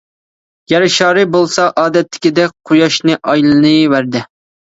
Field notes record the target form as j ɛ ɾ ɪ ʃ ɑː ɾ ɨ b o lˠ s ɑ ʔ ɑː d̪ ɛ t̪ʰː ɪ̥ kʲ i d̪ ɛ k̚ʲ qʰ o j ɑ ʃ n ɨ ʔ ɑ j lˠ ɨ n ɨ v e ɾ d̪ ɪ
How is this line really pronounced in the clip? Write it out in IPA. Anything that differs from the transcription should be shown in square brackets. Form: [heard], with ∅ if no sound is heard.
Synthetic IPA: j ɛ ɾ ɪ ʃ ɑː ɾ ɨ b o lˠ s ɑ ʔ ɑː d̪ ɛ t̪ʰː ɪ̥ kʲ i d̪ ɛ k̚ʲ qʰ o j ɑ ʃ n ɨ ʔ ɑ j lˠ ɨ n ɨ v [æ] ɾ d̪ ɪ